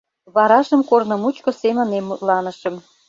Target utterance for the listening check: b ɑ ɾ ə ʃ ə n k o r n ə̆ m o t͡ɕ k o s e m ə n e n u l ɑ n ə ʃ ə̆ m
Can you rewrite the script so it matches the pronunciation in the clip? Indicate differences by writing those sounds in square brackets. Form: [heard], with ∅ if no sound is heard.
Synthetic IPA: [β] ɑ ɾ [ɑ] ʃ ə [m] k o r n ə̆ m [u] t͡ɕ k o s e m ə n e [m] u l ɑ n ə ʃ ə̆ m